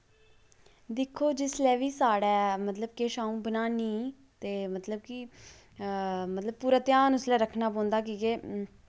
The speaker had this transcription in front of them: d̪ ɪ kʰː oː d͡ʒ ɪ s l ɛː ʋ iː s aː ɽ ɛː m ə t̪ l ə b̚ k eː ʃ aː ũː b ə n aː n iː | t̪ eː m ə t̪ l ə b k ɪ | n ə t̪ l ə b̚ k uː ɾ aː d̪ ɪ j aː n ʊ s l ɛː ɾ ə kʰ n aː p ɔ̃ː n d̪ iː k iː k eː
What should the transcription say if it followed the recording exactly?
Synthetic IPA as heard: d̪ ɪ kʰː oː d͡ʒ ɪ s l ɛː ʋ iː s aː ɽ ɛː m ə t̪ l ə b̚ k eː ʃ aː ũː b ə n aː n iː | t̪ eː m ə t̪ l ə b k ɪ | m ə t̪ l ə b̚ p uː ɾ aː t̪ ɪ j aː n ʊ s l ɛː ɾ ə kʰ n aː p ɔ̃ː n d̪ aː k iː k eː